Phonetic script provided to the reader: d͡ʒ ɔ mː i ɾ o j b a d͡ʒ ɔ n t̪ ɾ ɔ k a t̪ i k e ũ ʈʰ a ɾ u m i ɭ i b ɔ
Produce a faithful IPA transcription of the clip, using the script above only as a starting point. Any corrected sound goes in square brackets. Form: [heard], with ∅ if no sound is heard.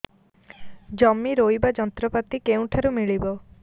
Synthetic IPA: d͡ʒ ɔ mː i ɾ o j b a d͡ʒ ɔ n t̪ ɾ ɔ [p] a t̪ i k e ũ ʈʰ a ɾ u m i ɭ i b ɔ

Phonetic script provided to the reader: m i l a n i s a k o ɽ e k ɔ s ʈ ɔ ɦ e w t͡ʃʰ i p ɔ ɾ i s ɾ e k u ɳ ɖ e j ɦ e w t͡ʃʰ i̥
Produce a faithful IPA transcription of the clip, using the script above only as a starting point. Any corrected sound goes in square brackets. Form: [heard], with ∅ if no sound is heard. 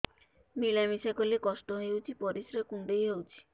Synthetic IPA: m i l a [m] i s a k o [l] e k ɔ s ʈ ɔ ɦ e w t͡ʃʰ i p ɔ ɾ i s ɾ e k u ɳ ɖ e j ɦ e w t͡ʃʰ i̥

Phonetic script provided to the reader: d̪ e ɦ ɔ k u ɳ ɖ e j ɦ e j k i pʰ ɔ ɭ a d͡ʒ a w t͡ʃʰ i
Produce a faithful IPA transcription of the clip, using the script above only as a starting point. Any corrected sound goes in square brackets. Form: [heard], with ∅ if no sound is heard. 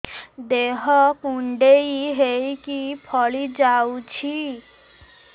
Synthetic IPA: d̪ e ɦ ɔ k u ɳ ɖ e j ɦ e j k i pʰ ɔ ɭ [i] d͡ʒ a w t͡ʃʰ i

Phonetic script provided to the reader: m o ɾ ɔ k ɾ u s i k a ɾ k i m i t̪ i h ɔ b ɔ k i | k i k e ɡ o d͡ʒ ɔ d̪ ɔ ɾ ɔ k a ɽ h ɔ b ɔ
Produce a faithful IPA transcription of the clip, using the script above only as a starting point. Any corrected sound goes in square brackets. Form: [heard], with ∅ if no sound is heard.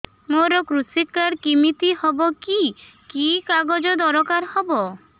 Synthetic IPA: m o ɾ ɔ k ɾ u s i k a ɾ k i m i t̪ i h ɔ b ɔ k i | k i k [a] ɡ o d͡ʒ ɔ d̪ ɔ ɾ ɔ k a [ɾ] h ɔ b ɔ

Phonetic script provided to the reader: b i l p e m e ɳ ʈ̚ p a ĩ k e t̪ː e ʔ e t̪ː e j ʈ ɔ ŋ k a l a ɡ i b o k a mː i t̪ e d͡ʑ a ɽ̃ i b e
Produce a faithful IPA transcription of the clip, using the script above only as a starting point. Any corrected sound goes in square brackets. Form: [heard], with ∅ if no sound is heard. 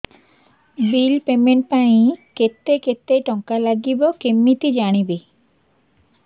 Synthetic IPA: b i l p e m e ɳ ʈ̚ p a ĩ k e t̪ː e [k] e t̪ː e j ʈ ɔ ŋ k a l a ɡ i b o k [e] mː i t̪ [i] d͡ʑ a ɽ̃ i b e

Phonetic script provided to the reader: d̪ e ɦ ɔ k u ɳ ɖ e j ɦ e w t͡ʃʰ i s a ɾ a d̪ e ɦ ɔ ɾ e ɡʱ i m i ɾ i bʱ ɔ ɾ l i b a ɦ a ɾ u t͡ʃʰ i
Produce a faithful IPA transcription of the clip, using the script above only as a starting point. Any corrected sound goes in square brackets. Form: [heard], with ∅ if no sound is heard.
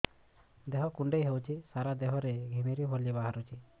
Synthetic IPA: d̪ e ɦ ɔ k u ɳ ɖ e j ɦ e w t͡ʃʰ i s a ɾ a d̪ e ɦ ɔ ɾ e ɡʱ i m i ɾ i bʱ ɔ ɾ l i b a ɦ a ɾ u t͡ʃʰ i

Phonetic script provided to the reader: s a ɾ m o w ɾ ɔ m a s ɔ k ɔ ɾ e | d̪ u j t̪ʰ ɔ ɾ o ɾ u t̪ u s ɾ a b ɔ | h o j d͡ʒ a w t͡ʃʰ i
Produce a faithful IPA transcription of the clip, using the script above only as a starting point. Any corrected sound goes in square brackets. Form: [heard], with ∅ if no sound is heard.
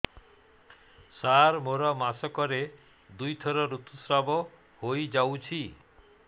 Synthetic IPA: s a ɾ m o [∅] ɾ ɔ m a s ɔ k ɔ ɾ e | d̪ u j t̪ʰ ɔ ɾ [ɔ] ɾ u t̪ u s ɾ a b ɔ | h o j d͡ʒ a w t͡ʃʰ i

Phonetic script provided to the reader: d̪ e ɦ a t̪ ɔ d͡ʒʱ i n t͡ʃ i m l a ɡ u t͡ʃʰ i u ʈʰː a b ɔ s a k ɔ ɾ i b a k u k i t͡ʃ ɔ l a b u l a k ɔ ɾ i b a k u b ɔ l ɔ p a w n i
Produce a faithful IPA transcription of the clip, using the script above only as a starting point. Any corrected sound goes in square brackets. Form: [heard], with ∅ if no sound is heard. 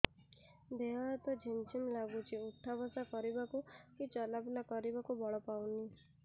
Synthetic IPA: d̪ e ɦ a t̪ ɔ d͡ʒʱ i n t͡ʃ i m l a ɡ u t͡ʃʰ i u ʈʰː a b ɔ s a k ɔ ɾ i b a k u k i t͡ʃ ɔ l a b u l a k ɔ ɾ i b a k u b ɔ [ɭ] ɔ p a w n i

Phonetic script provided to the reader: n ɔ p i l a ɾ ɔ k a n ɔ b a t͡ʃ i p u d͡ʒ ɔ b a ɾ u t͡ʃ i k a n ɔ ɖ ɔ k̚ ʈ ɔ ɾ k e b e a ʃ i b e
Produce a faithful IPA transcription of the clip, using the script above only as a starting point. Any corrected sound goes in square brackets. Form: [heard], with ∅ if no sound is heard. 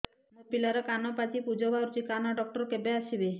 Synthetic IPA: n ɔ p i l a ɾ ɔ k a n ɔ [p] a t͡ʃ i p u d͡ʒ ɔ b a ɾ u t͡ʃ i k a n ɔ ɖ ɔ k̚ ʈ ɔ ɾ k e b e a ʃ i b e

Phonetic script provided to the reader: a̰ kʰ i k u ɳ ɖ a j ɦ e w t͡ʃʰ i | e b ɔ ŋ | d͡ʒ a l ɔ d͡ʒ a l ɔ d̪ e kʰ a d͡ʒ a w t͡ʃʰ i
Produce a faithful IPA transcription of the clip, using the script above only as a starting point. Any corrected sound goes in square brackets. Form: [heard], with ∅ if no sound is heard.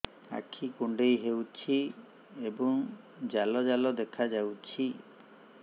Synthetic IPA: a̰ kʰ i k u ɳ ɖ [e] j ɦ e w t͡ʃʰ i | e b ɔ ŋ | d͡ʒ a l ɔ d͡ʒ a l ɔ d̪ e kʰ a d͡ʒ a w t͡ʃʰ i

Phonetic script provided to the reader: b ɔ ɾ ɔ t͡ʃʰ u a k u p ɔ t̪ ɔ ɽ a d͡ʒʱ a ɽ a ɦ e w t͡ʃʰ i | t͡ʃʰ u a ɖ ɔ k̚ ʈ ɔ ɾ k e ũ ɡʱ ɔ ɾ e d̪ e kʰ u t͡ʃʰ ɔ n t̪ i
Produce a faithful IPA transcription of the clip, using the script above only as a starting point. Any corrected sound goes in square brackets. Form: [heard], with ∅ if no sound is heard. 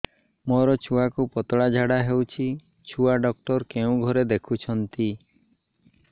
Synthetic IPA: [m] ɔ ɾ ɔ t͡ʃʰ u a k u p ɔ t̪ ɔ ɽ a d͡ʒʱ a ɽ a ɦ e w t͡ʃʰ i | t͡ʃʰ u a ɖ ɔ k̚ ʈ ɔ ɾ k e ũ ɡʱ ɔ ɾ e d̪ e kʰ u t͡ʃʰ ɔ n t̪ i

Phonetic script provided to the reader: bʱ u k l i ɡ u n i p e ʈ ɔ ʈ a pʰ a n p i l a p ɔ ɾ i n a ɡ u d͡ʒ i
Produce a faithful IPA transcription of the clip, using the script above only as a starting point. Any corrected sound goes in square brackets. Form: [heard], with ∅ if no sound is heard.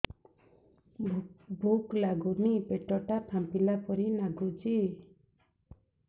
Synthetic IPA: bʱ u k l [a] ɡ u n i p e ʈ ɔ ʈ a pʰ a [m] p i l a p ɔ ɾ i n a ɡ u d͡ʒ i

